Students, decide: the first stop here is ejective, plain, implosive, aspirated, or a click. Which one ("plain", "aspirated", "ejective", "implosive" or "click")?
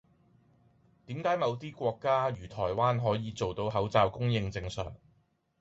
plain